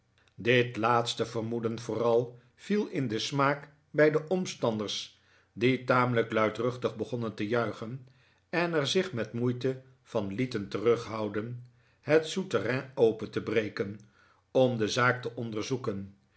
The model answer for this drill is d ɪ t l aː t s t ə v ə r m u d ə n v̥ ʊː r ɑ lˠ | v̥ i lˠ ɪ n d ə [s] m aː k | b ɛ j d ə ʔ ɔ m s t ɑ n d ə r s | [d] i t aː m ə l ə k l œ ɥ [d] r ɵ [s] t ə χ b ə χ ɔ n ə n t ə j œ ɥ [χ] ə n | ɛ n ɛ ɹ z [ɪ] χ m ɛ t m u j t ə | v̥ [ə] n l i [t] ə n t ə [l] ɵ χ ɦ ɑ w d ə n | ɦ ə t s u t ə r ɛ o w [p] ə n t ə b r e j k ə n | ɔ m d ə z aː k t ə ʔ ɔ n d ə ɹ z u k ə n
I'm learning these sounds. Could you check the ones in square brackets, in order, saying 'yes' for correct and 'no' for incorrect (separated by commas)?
yes, yes, no, no, yes, yes, no, yes, no, yes